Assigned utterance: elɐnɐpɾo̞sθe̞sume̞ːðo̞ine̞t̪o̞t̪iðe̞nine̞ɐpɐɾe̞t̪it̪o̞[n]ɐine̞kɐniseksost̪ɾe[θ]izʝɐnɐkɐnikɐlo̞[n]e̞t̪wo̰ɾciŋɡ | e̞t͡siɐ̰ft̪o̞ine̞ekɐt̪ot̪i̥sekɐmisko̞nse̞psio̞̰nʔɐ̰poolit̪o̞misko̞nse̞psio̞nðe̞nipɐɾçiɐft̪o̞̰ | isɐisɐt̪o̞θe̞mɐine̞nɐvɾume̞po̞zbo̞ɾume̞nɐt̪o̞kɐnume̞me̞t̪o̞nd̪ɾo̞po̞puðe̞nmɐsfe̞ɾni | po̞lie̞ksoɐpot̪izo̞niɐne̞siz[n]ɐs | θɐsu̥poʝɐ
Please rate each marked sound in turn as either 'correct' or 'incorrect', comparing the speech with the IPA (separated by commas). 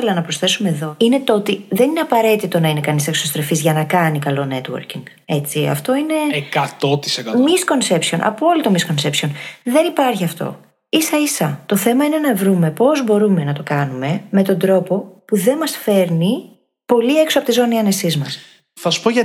correct, incorrect, correct, incorrect